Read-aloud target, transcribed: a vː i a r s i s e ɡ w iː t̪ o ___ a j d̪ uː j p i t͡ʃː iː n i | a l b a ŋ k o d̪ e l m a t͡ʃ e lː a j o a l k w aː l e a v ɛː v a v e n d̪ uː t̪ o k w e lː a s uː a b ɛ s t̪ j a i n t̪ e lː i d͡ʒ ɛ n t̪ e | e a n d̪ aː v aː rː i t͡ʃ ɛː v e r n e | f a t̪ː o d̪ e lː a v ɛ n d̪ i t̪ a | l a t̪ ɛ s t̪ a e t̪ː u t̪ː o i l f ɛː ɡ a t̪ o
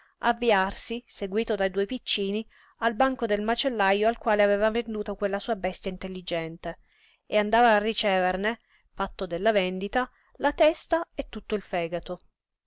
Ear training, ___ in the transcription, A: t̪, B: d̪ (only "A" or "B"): B